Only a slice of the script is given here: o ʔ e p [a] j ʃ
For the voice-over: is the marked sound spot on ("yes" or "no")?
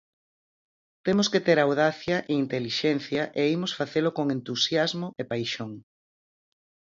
yes